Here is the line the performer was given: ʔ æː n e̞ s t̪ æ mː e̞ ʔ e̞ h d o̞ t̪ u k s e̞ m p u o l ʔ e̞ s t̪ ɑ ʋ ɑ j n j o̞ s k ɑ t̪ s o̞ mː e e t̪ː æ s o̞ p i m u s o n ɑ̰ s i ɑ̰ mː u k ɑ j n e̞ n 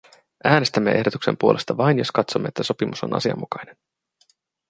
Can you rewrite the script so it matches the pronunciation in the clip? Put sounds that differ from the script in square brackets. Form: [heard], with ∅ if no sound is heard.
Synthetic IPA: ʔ æː n e̞ s t̪ æ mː e̞ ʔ e̞ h d o̞ t̪ u k s e̞ m p u o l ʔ e̞ s t̪ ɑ ʋ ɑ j n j o̞ s k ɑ t̪ s o̞ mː e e t̪ː æ s o̞ p i m u s o n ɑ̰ s i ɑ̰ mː u k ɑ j n e̞ n